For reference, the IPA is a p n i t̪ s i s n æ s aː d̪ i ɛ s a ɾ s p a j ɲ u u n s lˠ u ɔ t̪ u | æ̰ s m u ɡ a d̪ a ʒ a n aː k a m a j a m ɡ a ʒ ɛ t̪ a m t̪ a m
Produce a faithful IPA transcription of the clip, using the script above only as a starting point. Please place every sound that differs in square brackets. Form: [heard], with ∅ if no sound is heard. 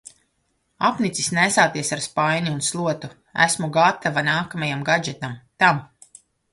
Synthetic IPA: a p n i t̪ s i s n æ s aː [t̪] i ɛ s a ɾ s p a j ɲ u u n s lˠ u ɔ t̪ u | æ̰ s m u ɡ a [t̪] a [v] a n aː k a m a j a m ɡ a [d͡ʒ] ɛ t̪ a m t̪ a m